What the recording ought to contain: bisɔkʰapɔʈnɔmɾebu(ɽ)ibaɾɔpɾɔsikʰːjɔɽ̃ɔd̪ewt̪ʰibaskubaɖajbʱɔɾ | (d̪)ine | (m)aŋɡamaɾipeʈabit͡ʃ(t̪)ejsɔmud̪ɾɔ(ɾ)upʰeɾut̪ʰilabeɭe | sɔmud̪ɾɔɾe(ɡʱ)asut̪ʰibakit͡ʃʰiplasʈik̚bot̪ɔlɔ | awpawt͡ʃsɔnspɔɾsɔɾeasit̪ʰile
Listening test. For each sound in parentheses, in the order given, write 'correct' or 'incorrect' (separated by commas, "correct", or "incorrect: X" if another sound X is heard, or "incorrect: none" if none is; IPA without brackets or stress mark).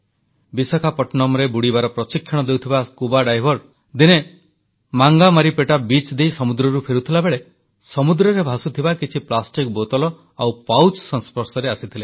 correct, correct, correct, incorrect: d̪, correct, incorrect: bʱ